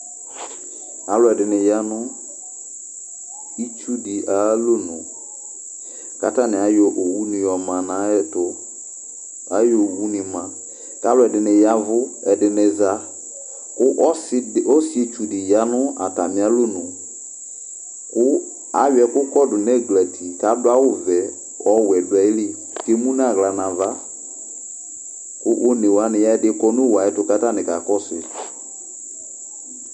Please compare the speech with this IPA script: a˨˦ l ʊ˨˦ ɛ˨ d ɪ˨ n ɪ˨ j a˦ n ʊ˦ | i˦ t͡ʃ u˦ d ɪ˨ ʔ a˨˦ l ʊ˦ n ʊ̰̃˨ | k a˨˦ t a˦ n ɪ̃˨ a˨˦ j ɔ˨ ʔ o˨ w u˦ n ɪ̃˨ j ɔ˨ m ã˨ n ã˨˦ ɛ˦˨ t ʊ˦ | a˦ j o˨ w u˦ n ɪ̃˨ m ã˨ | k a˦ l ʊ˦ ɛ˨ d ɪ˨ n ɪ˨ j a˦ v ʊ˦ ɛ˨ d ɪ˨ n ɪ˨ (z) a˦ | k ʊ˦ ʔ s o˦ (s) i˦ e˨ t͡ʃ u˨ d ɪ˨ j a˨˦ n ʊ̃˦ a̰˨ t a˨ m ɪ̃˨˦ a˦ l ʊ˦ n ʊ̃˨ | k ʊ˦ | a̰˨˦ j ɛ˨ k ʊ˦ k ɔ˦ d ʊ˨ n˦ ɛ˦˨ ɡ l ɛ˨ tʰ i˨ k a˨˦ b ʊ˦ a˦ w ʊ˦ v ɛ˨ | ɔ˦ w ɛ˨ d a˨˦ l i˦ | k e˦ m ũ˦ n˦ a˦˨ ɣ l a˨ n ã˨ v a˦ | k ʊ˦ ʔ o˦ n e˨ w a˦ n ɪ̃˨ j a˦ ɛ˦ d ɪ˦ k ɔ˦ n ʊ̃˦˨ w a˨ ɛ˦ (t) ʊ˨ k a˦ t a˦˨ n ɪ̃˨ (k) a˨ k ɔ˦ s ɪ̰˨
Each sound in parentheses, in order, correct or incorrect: correct, correct, correct, correct

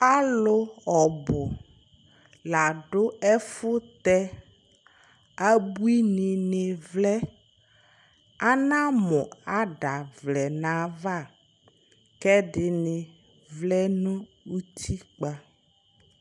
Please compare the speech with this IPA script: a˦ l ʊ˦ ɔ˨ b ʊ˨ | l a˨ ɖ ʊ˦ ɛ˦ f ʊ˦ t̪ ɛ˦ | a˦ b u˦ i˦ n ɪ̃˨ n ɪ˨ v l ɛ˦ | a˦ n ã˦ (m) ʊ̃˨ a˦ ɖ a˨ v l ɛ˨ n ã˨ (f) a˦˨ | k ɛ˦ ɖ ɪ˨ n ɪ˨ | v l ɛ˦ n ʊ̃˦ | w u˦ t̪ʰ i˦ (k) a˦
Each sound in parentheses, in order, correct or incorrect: correct, incorrect: v, incorrect: k͡p

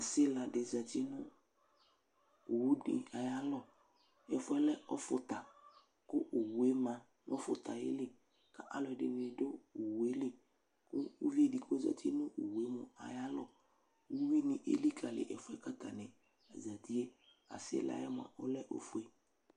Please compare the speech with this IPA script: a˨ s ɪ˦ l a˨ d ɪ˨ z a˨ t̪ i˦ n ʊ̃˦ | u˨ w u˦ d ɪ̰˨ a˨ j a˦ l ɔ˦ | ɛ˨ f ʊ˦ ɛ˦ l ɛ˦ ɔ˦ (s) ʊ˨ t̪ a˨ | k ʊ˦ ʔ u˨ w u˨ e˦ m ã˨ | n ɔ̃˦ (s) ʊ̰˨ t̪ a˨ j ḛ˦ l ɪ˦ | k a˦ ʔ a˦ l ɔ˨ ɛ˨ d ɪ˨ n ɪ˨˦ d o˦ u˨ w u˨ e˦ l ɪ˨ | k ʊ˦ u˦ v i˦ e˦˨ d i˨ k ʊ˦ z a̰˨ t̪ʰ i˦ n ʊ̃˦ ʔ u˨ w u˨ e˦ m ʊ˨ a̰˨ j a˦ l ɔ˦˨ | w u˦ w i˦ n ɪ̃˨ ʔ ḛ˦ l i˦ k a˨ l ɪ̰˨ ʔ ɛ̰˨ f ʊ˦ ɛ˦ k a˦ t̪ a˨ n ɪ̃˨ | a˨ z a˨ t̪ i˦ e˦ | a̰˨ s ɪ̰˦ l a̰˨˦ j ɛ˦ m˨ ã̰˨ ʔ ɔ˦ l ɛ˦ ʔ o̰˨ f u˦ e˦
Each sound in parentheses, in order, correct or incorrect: incorrect: f, incorrect: f

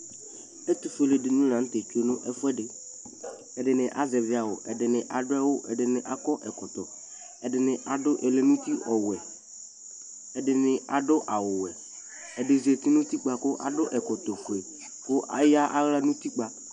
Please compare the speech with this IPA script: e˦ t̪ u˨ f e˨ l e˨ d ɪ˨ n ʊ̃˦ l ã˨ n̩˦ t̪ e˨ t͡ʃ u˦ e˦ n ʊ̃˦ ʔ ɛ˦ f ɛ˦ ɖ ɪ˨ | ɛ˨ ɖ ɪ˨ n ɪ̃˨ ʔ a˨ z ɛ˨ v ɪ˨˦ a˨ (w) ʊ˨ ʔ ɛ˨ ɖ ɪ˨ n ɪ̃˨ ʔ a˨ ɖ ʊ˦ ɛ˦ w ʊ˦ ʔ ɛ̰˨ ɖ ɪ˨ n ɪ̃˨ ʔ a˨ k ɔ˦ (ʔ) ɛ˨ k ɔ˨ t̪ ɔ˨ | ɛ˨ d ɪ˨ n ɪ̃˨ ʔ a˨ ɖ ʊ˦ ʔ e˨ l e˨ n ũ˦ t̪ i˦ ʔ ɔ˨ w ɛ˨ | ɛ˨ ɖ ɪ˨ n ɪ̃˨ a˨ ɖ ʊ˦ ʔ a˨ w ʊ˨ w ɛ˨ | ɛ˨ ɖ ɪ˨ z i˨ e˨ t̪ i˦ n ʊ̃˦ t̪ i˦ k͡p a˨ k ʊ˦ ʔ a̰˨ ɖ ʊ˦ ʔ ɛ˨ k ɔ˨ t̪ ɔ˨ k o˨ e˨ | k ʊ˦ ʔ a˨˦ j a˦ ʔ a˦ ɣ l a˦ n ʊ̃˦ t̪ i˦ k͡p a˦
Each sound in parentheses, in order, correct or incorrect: correct, correct

